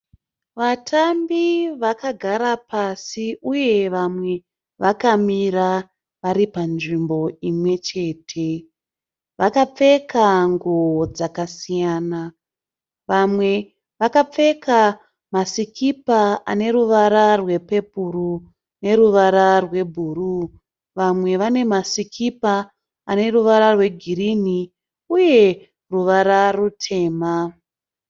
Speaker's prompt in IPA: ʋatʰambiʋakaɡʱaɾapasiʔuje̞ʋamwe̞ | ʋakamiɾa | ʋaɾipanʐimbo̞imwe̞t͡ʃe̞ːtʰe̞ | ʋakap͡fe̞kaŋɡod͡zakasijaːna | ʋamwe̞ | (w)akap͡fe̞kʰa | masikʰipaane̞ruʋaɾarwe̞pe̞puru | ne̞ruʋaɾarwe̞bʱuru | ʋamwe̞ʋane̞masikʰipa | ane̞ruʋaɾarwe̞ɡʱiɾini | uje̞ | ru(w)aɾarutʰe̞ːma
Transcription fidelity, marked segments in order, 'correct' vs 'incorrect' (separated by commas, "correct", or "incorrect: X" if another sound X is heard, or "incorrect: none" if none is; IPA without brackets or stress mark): incorrect: ʋ, incorrect: ʋ